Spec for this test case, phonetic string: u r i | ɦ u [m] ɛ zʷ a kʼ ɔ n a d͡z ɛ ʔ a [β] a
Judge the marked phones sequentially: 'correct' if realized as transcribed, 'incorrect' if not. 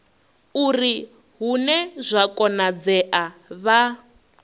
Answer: incorrect, correct

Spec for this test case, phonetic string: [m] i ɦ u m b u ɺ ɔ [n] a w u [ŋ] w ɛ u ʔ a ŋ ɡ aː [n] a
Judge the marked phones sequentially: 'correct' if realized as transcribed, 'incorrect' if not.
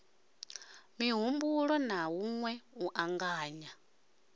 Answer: correct, correct, correct, incorrect

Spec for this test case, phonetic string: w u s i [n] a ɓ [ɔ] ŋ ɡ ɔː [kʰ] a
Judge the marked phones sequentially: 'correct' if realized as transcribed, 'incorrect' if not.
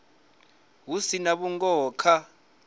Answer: correct, incorrect, correct

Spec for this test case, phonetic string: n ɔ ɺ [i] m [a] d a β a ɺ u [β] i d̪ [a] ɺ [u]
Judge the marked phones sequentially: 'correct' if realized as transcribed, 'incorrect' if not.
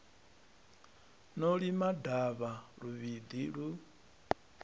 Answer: correct, correct, correct, incorrect, correct

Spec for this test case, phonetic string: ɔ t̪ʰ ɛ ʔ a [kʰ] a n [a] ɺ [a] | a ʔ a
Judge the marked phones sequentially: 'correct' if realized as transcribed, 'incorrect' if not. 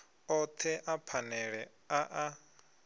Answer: incorrect, incorrect, incorrect

